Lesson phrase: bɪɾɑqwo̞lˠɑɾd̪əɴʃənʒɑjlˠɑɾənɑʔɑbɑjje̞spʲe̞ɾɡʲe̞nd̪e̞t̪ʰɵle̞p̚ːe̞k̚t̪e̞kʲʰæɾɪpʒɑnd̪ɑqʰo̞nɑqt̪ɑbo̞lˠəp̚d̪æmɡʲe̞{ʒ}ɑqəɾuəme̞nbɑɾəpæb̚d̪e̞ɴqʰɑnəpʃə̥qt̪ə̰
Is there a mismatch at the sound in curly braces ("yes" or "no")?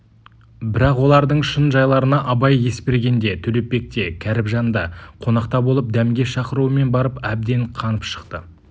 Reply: yes